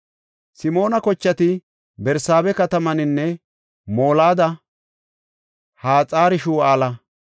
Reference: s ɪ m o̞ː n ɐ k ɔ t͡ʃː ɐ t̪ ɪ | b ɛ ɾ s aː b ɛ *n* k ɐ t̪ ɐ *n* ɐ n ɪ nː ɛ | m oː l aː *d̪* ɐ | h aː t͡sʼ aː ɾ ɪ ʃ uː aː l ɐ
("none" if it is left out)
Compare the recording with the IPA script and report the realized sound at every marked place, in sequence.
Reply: none, m, d̪

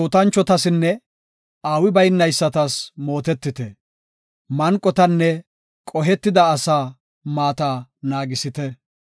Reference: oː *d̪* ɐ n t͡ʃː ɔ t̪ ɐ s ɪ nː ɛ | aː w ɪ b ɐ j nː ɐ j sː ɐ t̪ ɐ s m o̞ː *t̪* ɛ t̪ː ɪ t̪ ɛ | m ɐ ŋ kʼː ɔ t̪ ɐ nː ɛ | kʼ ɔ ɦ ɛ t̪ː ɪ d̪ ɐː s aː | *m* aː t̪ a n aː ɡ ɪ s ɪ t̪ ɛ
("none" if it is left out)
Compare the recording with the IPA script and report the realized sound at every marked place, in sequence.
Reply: t̪, t̪, m

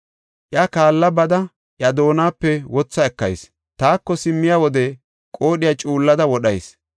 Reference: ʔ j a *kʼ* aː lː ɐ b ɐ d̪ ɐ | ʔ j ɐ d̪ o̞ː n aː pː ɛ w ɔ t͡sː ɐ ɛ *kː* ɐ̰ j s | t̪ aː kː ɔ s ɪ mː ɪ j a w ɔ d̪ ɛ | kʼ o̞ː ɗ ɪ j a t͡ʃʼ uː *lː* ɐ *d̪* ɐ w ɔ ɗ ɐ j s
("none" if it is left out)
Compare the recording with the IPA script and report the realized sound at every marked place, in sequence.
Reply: k, kː, lː, d̪

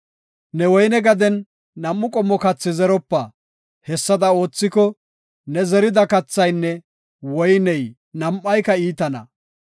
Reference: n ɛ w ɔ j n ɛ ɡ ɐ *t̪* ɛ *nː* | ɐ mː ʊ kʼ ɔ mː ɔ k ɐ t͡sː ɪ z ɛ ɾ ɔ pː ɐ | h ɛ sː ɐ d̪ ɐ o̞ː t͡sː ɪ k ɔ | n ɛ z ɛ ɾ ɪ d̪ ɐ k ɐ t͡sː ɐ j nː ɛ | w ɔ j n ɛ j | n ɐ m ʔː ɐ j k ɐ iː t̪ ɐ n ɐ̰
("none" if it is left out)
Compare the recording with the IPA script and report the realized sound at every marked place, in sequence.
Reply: d̪, nː

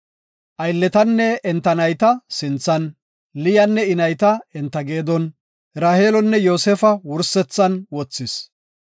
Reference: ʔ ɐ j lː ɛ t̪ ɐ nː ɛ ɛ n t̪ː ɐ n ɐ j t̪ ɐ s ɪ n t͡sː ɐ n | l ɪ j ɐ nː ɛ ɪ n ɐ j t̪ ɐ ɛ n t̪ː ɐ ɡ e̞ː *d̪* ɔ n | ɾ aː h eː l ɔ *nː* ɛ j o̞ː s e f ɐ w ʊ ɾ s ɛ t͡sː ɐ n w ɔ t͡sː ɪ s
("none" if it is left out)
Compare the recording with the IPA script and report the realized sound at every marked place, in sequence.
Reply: d̪, nː

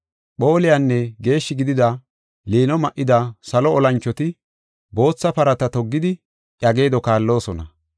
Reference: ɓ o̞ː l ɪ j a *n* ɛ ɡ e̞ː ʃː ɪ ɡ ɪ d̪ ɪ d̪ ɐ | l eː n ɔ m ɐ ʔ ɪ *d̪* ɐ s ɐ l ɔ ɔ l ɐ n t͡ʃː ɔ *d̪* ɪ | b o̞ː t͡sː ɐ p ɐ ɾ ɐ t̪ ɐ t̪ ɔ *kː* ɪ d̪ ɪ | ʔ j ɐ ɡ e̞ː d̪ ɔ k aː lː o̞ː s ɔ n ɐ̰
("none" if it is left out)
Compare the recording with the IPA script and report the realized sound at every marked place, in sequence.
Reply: nː, d̪, t̪, ɡː

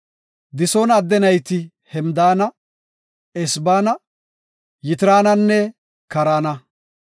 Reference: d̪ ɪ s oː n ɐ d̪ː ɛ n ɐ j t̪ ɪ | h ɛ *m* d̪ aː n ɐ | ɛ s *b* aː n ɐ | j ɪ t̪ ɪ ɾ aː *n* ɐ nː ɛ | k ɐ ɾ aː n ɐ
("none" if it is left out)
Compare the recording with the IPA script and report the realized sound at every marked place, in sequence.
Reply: m, b, n

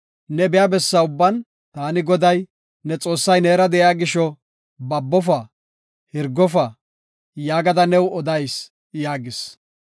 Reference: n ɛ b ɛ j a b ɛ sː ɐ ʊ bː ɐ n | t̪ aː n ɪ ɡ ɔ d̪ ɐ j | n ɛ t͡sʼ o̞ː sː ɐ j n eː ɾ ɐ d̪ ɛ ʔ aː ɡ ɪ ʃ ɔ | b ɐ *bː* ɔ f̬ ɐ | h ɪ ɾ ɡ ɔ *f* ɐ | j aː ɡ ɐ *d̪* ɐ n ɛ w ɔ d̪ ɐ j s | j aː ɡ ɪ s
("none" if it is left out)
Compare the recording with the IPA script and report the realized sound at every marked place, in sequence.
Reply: bː, f, d̪

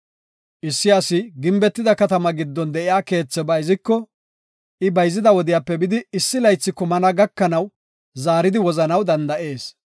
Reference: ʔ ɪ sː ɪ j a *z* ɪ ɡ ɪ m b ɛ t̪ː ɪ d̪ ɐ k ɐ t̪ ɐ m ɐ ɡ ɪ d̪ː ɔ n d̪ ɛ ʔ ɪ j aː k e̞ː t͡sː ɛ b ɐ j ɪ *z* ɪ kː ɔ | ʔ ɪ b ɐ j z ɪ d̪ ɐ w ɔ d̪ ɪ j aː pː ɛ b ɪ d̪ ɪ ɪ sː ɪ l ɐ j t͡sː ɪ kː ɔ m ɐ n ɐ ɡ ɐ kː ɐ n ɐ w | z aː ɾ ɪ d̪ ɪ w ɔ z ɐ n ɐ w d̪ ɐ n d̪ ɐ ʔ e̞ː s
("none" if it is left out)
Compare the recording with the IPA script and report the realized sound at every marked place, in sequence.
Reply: s, z

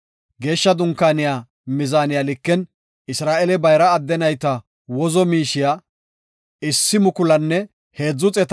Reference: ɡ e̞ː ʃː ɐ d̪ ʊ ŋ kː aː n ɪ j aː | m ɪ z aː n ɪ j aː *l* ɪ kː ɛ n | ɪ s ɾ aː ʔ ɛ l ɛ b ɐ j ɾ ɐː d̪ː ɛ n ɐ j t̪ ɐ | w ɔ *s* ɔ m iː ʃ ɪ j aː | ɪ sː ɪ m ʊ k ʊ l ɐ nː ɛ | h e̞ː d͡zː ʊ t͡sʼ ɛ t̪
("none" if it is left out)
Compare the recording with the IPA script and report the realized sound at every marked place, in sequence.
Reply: l, z

